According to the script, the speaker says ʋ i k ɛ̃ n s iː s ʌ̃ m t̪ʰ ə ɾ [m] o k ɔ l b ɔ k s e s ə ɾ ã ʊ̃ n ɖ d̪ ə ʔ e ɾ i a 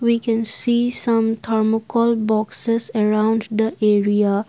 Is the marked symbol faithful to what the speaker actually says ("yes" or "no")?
yes